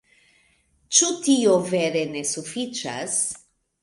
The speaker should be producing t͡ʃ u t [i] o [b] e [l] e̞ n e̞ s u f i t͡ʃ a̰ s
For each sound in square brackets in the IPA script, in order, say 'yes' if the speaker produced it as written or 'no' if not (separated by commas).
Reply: yes, no, no